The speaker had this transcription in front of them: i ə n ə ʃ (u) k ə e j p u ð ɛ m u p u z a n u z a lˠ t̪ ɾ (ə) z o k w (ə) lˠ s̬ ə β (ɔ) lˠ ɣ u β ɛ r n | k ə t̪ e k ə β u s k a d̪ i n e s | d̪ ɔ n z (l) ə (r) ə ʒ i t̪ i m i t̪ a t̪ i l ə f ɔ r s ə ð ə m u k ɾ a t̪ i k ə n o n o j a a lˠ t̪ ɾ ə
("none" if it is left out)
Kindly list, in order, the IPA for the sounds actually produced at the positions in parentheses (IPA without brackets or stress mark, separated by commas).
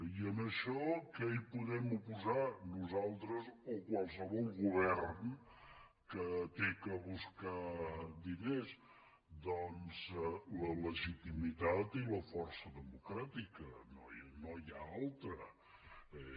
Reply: ɔ, ə, a, ɔ, l, l